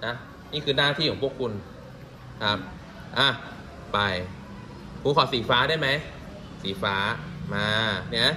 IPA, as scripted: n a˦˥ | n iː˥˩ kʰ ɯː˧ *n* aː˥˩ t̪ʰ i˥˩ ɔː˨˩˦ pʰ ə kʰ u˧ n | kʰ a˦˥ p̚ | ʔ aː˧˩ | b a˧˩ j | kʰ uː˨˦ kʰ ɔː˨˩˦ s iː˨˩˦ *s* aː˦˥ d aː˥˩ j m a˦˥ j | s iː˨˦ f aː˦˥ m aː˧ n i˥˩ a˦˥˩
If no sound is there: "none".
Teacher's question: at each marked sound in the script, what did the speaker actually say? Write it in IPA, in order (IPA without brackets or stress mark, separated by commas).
n, f